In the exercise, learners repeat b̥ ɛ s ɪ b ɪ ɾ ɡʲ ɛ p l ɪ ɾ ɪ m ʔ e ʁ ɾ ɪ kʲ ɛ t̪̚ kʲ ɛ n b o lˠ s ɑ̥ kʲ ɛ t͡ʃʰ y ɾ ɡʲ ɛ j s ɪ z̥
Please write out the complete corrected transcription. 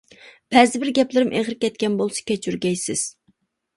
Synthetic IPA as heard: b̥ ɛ z ɪ b ɪ ɾ ɡʲ ɛ p l ɪ ɾ ɪ m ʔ e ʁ ɾ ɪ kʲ ɛ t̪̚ kʲ ɛ n b o lˠ s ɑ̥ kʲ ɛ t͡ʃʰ y ɾ ɡʲ ɛ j s ɪ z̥